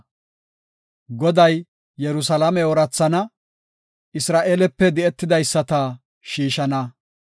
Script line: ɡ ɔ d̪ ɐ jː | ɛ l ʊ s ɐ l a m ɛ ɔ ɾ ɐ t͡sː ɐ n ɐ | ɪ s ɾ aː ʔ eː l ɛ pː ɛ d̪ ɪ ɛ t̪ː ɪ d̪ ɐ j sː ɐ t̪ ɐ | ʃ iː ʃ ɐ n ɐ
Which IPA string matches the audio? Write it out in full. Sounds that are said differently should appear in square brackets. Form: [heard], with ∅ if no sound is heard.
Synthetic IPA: ɡ ɔ d̪ ɐ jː | ɛ [ɾ] ʊ s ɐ l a m ɛ ɔ ɾ ɐ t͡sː ɐ n ɐ | ɪ s ɾ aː ʔ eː l ɛ pː ɛ d̪ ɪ ɛ t̪ː ɪ d̪ ɐ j sː ɐ t̪ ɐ | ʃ iː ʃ ɐ n ɐ

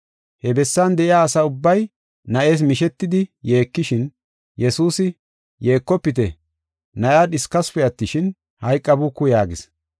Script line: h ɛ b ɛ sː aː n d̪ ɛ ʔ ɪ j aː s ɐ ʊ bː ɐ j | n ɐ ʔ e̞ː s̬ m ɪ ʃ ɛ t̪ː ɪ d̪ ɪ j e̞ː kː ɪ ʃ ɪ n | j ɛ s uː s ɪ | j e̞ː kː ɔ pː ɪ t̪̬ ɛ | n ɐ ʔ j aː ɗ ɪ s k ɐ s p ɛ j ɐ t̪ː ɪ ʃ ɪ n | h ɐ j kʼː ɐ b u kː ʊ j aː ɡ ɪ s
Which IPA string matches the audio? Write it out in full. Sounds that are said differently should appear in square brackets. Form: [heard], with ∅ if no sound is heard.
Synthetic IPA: h ɛ b ɛ sː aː n d̪ ɛ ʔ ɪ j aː s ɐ ʊ bː ɐ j | n ɐ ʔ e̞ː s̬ m ɪ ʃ ɛ t̪ː ɪ d̪ ɪ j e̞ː kː ɪ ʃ ɪ n | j ɛ s uː s ɪ | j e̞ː kː ɔ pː ɪ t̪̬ ɛ | n ɐ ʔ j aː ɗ ɪ s k ɐ s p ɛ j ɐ t̪ː ɪ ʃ ɪ n | h ɐ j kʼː ɐ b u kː ʊ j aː ɡ ɪ s

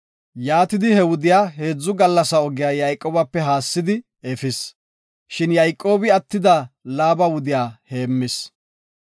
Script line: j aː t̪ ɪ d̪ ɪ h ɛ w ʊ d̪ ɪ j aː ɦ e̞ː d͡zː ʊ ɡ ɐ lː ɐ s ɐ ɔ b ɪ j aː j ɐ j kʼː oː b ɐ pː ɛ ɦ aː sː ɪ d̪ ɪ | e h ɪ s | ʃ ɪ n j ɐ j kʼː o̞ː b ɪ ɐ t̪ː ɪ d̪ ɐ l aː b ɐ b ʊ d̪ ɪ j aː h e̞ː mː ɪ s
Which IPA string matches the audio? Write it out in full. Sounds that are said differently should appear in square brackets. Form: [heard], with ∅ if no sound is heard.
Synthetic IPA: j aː t̪ ɪ d̪ ɪ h ɛ w ʊ d̪ ɪ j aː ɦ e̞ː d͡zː ʊ ɡ ɐ lː ɐ s ɐ ɔ [ɡ] ɪ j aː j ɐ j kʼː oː b ɐ pː ɛ ɦ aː sː ɪ d̪ ɪ | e [f] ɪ s | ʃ ɪ n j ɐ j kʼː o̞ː b ɪ ɐ t̪ː ɪ d̪ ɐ l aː b ɐ [w] ʊ d̪ ɪ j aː h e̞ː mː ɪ s

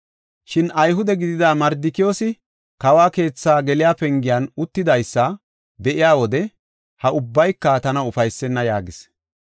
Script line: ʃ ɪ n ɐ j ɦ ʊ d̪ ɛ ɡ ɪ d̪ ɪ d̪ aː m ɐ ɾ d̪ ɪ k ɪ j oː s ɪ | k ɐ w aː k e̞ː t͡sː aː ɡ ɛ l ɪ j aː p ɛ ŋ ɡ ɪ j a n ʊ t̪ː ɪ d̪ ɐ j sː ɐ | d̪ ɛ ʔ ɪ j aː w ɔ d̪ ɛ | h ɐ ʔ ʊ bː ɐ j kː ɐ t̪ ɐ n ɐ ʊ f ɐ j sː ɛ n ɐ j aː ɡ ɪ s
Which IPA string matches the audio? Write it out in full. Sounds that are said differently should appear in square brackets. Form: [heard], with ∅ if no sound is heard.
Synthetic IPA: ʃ ɪ n ɐ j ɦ ʊ d̪ ɛ ɡ ɪ d̪ ɪ d̪ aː m ɐ ɾ d̪ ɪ k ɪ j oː s ɪ | k ɐ w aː k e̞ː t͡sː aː ɡ ɛ l ɪ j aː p ɛ ŋ ɡ ɪ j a n ʊ t̪ː ɪ d̪ ɐ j sː ɐ | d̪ ɛ ʔ ɪ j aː w ɔ d̪ ɛ | h ɐ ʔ ʊ bː ɐ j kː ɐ t̪ ɐ n ɐ ʊ f ɐ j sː ɛ [nː] ɐ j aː ɡ ɪ s

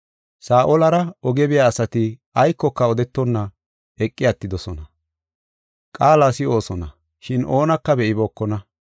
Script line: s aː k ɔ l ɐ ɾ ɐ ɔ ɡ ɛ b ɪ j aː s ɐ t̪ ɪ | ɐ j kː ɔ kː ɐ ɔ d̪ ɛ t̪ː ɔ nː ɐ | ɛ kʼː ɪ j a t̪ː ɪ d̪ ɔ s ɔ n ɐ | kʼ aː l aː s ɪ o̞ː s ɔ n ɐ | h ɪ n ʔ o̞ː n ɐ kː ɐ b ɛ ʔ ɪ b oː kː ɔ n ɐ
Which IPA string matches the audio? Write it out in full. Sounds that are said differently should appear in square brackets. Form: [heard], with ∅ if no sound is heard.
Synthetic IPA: s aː [ʔ] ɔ l ɐ ɾ ɐ ɔ ɡ ɛ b ɪ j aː s ɐ t̪ ɪ | ɐ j kː ɔ kː ɐ ɔ d̪ ɛ t̪ː ɔ nː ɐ | ɛ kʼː ɪ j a t̪ː ɪ d̪ ɔ s ɔ n ɐ | kʼ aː l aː s ɪ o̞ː s ɔ n ɐ | [ʃ] ɪ n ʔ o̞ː n ɐ kː ɐ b ɛ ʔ ɪ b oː kː ɔ n ɐ

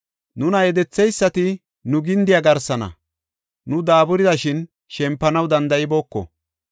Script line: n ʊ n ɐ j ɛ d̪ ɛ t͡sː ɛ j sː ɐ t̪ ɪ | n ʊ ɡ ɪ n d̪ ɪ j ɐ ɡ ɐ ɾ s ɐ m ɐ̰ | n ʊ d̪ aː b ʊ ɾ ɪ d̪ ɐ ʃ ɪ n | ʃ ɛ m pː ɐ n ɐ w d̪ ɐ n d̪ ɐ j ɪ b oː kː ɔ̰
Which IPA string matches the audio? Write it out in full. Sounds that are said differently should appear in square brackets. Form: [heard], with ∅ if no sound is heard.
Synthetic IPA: n ʊ n ɐ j ɛ d̪ ɛ t͡sː ɛ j sː ɐ t̪ ɪ | n ʊ ɡ ɪ n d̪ ɪ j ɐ ɡ ɐ ɾ s ɐ [n] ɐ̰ | n ʊ d̪ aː b ʊ ɾ ɪ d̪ ɐ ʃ ɪ n | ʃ ɛ m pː ɐ n ɐ w d̪ ɐ n d̪ ɐ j ɪ b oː kː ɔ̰

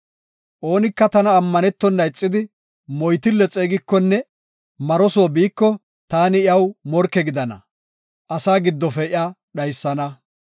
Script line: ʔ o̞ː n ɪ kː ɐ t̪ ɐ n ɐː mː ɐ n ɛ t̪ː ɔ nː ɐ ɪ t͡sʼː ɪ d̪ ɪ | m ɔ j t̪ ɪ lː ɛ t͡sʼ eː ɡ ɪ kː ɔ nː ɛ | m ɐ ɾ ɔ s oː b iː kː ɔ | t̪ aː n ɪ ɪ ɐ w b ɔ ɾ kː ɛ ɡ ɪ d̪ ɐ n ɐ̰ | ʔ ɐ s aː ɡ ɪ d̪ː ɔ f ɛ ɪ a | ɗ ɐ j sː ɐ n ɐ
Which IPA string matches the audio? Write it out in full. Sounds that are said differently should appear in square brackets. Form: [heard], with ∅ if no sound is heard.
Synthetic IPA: ʔ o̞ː n ɪ kː ɐ t̪ ɐ n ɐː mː ɐ n ɛ t̪ː ɔ nː ɐ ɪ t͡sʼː ɪ d̪ ɪ | m ɔ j t̪ ɪ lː ɛ t͡sʼ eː ɡ ɪ kː ɔ nː ɛ | m ɐ ɾ ɔ s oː b iː kː ɔ | t̪ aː n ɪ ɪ ɐ w [m] ɔ ɾ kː ɛ ɡ ɪ d̪ ɐ n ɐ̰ | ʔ ɐ s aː ɡ ɪ d̪ː ɔ f ɛ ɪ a | ɗ ɐ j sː ɐ n ɐ

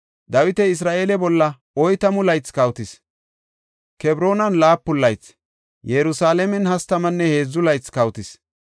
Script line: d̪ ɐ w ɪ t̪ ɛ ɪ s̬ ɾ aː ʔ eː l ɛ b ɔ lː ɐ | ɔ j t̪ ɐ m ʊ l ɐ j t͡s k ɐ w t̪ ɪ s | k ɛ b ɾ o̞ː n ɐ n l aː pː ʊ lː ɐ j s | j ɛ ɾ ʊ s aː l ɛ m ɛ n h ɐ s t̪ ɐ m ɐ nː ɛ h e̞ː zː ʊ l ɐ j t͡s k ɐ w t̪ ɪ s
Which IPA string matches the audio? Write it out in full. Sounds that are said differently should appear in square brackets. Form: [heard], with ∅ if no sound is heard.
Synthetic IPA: d̪ ɐ w ɪ t̪ ɛ ɪ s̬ ɾ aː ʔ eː l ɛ b ɔ lː ɐ | ɔ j t̪ ɐ m ʊ l ɐ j t͡s k ɐ w t̪ ɪ s | k ɛ b ɾ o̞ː n ɐ n l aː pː ʊ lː ɐ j [t͡s] | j ɛ ɾ ʊ s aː l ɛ m ɛ n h ɐ s t̪ ɐ m ɐ nː ɛ h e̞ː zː ʊ l ɐ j t͡s k ɐ w t̪ ɪ s

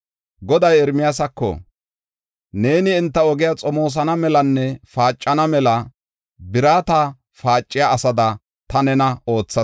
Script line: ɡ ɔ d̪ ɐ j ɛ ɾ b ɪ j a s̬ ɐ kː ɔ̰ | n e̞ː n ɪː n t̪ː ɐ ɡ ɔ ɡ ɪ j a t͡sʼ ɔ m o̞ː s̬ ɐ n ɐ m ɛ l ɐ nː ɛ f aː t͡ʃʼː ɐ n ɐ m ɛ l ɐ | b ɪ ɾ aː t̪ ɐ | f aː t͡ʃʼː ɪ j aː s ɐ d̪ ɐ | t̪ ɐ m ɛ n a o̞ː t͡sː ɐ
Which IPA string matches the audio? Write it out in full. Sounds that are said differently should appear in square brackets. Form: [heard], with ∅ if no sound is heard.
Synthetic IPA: ɡ ɔ d̪ ɐ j ɛ ɾ [m] ɪ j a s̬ ɐ kː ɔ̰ | n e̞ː n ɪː n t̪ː ɐ [∅] ɔ ɡ ɪ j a t͡sʼ ɔ m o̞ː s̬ ɐ n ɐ m ɛ l ɐ nː ɛ f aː t͡ʃʼː ɐ n ɐ m ɛ l ɐ | b ɪ ɾ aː t̪ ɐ | f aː t͡ʃʼː ɪ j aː s ɐ d̪ ɐ | t̪ ɐ [n] ɛ n [ɐ] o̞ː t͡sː ɐ

